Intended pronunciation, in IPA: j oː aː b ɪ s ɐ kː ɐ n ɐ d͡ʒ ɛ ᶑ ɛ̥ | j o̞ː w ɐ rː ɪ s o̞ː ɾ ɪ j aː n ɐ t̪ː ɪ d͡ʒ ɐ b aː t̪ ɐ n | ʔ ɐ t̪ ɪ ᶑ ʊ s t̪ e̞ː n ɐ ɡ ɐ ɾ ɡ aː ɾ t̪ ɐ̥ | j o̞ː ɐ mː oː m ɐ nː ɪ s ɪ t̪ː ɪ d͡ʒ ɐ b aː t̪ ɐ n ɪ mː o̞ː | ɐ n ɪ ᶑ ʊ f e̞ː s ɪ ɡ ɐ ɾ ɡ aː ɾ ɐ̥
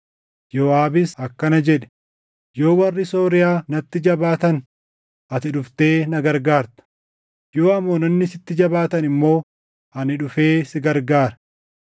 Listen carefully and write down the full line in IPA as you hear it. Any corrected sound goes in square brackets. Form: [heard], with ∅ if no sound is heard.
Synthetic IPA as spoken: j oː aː b ɪ s ɐ kː ɐ n ɐ d͡ʒ ɛ ᶑ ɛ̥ | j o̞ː w ɐ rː ɪ s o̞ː ɾ ɪ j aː n ɐ t̪ː ɪ d͡ʒ ɐ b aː t̪ ɐ n | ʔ ɐ t̪ ɪ ᶑ ʊ [f] t̪ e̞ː n ɐ ɡ ɐ ɾ ɡ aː ɾ t̪ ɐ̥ | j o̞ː ɐ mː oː [n] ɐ nː ɪ s ɪ t̪ː ɪ d͡ʒ ɐ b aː t̪ ɐ n ɪ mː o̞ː | ɐ n ɪ ᶑ ʊ f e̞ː s ɪ ɡ ɐ ɾ ɡ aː ɾ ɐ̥

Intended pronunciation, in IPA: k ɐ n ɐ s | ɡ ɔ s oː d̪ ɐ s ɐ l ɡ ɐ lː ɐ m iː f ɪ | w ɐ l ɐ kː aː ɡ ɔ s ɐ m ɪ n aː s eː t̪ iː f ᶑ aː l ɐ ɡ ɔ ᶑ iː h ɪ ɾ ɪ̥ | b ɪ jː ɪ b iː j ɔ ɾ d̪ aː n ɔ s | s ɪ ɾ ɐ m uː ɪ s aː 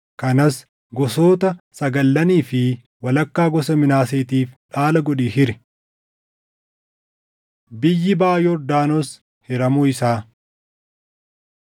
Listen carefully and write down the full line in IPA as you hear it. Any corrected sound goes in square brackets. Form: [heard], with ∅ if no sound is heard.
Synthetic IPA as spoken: k ɐ n ɐ s | ɡ ɔ s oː [t̪] ɐ s ɐ [∅] ɡ ɐ lː ɐ [n] iː f ɪ | w ɐ l ɐ kː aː ɡ ɔ s ɐ m ɪ n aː s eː t̪ iː f ᶑ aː l ɐ ɡ ɔ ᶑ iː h ɪ ɾ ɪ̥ | b ɪ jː ɪ b [aː] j ɔ ɾ d̪ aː n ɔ s | [h] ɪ ɾ ɐ m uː ɪ s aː

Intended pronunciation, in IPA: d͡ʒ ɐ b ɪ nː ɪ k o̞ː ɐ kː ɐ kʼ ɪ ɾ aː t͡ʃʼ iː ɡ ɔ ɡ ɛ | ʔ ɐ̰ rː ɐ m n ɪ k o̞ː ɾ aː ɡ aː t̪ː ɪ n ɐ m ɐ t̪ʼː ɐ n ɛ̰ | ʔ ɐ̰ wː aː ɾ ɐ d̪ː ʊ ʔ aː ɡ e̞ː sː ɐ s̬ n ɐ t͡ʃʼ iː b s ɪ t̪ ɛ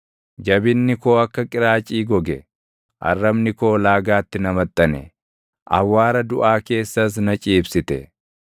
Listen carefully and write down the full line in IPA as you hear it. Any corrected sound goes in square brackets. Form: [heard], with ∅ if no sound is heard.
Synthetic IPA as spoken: d͡ʒ ɐ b ɪ nː ɪ k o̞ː ɐ kː ɐ kʼ ɪ ɾ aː t͡ʃʼ iː ɡ ɔ ɡ ɛ | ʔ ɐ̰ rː ɐ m n ɪ k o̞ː [l] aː ɡ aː t̪ː ɪ n ɐ m ɐ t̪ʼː ɐ n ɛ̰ | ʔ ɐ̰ wː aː ɾ ɐ [d̪] ʊ ʔ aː [k] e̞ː sː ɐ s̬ n ɐ t͡ʃʼ iː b s ɪ t̪ ɛ

